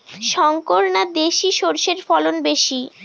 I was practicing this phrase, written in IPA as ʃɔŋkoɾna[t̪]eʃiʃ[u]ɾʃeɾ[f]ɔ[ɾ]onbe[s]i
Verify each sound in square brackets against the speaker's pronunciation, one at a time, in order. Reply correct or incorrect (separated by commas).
incorrect, incorrect, correct, incorrect, incorrect